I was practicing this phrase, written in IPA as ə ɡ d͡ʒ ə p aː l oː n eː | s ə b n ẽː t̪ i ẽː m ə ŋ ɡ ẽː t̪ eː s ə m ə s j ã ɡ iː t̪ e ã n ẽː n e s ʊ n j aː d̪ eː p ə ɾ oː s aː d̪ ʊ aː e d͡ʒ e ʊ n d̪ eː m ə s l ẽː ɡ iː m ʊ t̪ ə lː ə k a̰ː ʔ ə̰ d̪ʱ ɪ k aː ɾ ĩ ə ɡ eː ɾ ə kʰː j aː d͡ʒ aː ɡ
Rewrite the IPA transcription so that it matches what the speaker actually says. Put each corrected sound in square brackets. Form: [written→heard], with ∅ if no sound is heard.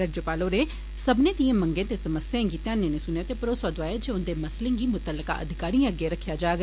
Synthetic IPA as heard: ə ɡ d͡ʒ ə p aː l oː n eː | s ə b n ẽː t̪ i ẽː m ə ŋ ɡ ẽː t̪ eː s ə m ə s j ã ɡ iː t̪ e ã n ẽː n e s ʊ n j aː [d̪→t̪] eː p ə ɾ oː s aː d̪ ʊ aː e d͡ʒ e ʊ n d̪ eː m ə s l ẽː ɡ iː m ʊ t̪ ə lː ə k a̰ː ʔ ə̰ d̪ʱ ɪ k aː ɾ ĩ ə ɡ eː ɾ ə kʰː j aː d͡ʒ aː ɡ